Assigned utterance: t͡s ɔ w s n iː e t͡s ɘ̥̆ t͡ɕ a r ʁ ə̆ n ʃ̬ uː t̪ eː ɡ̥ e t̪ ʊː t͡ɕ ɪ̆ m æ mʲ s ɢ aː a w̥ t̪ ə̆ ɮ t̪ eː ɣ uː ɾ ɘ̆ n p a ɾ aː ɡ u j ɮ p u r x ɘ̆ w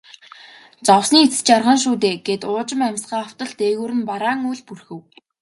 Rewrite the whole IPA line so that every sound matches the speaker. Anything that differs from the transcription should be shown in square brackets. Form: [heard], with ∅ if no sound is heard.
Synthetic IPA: t͡s ɔ w s n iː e t͡s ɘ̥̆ t͡ɕ a r ʁ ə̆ n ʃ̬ uː t̪ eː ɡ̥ e t̪ ʊː t͡ɕ ɪ̆ m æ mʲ s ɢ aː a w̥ t̪ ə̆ ɮ t̪ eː ɣ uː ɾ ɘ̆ n p a ɾ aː [ŋ] u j ɮ p u r x ɘ̆ w